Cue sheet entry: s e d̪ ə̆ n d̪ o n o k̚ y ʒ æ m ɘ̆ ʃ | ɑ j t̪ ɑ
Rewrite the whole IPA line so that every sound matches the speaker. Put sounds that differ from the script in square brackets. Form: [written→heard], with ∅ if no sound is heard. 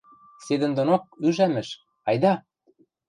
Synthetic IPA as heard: s e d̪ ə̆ n d̪ o n o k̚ y ʒ æ m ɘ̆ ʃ | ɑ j [t̪→d̪] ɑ

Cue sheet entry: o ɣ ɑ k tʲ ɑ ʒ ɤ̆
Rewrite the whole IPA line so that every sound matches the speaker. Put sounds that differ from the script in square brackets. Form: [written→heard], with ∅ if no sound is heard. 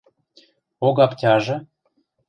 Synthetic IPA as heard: o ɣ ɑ [k→p] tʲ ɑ ʒ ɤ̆

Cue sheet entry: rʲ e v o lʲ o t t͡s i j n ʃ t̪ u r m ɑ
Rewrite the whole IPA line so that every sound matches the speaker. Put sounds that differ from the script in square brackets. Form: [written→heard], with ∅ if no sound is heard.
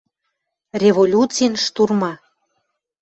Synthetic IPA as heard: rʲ e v o lʲ [o→u] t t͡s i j n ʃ t̪ u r m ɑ

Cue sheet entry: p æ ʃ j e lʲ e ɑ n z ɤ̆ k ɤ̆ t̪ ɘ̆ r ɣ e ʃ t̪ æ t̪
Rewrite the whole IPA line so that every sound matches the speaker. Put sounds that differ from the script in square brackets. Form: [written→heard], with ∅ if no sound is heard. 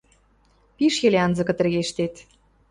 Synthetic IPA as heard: p [æ→i] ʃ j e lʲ e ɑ n z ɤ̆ k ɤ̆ t̪ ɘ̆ r ɣ e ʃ t̪ [æ→e] t̪

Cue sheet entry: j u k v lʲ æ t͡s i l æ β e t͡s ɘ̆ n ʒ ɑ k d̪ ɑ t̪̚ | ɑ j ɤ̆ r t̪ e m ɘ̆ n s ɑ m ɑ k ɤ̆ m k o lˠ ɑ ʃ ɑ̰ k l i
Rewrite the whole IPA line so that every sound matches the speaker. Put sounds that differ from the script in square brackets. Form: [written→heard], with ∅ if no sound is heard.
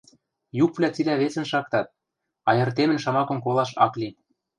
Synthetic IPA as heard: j u k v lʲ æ t͡s i l æ β e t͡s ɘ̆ n [ʒ→ʃ] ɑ k [d̪→t̪] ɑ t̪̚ | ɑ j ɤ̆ r t̪ e m ɘ̆ n [s→ʃ] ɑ m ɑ k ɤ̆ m k o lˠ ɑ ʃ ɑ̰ k l i

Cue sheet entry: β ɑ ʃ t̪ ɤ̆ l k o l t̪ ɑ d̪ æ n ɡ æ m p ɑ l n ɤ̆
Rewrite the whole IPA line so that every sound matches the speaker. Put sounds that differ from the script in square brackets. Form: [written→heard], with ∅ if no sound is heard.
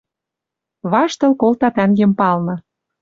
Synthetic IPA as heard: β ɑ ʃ t̪ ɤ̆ l k o l t̪ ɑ [d̪→t̪] æ [n→ŋ] ɡ [æ→e] m p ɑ l n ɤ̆

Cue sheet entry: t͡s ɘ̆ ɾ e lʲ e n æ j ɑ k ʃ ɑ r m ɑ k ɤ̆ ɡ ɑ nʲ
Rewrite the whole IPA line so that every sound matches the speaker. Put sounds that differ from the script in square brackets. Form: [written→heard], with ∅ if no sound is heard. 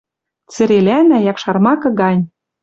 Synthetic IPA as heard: t͡s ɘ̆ ɾ e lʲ [e→æ] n æ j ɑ k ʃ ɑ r m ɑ k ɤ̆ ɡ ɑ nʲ

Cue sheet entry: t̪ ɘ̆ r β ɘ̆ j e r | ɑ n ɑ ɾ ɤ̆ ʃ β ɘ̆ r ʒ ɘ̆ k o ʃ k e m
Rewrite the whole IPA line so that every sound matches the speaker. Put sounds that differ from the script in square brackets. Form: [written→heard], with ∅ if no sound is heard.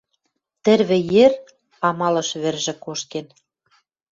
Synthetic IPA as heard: t̪ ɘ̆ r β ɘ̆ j e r | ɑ [n→m] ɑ [ɾ→l] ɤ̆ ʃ β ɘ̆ r ʒ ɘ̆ k o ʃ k e [m→n]

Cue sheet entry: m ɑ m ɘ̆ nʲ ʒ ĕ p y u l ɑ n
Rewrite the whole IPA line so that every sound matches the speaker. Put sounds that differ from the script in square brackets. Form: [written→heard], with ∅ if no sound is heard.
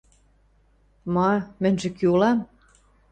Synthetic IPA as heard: m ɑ m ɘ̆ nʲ ʒ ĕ [p→k] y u l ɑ [n→m]

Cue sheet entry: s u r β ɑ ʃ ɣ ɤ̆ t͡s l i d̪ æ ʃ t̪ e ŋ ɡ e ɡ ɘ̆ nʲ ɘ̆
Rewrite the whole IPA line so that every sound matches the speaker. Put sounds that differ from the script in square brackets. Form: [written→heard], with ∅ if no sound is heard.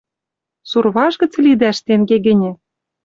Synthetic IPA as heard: s u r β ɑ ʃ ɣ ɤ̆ t͡s l i d̪ æ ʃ t̪ e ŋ ɡ e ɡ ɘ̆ nʲ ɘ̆

